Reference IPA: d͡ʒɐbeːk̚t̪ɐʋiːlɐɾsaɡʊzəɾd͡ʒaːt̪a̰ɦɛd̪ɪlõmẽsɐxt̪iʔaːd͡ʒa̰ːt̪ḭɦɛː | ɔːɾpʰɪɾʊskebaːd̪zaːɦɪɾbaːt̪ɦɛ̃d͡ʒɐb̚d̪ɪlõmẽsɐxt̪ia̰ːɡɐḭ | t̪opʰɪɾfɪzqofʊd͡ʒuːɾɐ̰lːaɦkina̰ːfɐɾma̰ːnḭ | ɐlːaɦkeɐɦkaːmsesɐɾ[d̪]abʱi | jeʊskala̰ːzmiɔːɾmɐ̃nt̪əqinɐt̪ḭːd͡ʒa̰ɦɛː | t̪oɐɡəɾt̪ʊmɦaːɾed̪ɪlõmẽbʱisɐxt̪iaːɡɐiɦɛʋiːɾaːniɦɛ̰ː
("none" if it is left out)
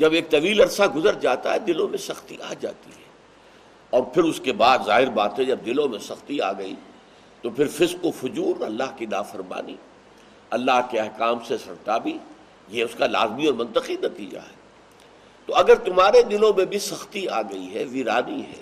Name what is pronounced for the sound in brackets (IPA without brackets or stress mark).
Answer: t̪